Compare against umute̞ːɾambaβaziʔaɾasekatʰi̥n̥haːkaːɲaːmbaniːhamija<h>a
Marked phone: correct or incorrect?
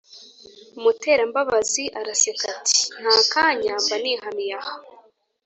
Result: correct